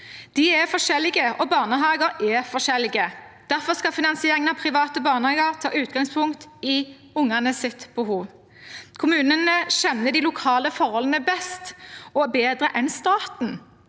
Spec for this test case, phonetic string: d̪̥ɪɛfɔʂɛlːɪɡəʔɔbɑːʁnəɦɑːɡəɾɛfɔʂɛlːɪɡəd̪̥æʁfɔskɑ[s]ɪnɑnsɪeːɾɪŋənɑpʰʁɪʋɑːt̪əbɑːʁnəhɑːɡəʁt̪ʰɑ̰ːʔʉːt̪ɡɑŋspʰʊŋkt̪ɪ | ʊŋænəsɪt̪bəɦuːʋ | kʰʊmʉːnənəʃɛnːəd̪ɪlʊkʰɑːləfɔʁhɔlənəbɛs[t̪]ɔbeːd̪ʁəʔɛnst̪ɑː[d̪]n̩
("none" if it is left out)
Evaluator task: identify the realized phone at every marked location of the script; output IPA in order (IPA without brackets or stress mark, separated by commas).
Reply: f, t̪, t̪